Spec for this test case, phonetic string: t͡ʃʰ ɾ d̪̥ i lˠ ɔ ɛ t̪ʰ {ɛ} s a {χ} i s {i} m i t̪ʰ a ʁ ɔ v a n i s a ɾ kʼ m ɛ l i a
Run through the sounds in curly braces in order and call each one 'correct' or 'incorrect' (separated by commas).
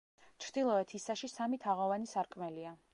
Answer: incorrect, incorrect, incorrect